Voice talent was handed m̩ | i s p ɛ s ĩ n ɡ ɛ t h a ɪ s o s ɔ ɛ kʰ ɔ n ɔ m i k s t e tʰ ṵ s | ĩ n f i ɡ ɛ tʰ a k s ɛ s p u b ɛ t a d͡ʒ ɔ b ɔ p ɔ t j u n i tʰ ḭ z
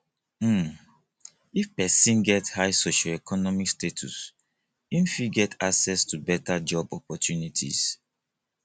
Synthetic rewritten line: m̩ | i f p ɛ s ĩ n ɡ ɛ t h a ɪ s o ʃ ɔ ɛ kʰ ɔ n ɔ m i k s t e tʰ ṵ s | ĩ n f i ɡ ɛ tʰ a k s ɛ s t u b ɛ t a d͡ʒ ɔ b ɔ p ɔ t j u n i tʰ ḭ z